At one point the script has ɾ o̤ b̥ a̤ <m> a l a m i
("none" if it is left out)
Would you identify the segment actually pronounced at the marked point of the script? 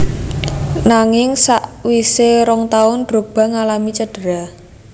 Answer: ŋ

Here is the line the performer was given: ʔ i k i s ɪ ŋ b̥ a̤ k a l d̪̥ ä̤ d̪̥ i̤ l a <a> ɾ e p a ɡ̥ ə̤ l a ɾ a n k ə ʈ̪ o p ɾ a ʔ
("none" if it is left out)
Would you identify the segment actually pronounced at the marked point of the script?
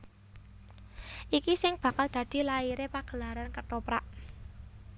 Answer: i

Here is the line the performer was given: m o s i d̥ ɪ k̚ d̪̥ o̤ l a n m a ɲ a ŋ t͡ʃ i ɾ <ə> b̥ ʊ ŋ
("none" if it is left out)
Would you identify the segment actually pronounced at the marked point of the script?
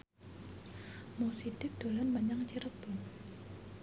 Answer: ə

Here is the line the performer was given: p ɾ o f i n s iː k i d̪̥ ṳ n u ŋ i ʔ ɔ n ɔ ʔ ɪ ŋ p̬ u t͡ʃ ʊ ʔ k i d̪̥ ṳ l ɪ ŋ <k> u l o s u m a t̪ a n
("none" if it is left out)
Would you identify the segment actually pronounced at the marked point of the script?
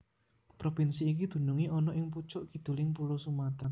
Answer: p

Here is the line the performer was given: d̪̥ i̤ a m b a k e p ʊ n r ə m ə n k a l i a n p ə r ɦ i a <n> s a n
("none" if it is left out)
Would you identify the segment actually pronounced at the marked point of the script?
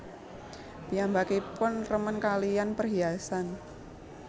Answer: none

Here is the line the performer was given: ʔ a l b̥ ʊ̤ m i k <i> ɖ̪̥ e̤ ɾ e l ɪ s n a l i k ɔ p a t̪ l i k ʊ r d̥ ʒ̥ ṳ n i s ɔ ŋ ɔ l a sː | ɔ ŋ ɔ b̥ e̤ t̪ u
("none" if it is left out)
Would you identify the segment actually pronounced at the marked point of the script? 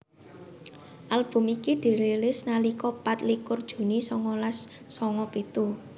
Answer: i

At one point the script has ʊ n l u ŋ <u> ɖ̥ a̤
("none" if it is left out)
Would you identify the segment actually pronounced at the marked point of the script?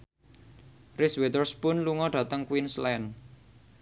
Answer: ɔ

